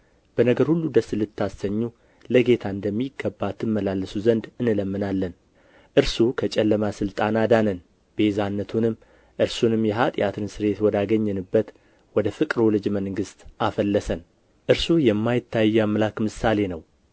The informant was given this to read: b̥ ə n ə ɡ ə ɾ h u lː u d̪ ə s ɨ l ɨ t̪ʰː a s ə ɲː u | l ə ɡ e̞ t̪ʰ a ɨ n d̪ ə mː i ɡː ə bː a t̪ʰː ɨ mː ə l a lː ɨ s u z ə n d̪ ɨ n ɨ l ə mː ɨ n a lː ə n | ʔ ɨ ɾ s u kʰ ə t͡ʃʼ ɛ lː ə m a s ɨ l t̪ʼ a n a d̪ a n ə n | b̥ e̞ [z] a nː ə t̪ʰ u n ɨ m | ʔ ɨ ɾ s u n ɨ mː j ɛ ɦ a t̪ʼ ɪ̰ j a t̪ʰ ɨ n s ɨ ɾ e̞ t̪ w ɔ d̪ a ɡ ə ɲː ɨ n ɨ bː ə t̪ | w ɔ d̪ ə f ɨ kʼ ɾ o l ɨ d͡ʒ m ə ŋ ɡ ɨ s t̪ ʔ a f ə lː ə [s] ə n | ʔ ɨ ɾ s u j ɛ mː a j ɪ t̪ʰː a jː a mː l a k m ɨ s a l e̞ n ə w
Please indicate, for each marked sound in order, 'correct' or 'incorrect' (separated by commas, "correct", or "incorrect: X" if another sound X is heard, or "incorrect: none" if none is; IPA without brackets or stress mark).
correct, correct